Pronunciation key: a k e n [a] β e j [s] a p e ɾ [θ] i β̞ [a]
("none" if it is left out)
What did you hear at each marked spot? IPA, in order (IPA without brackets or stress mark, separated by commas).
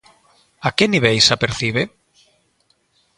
i, s, θ, e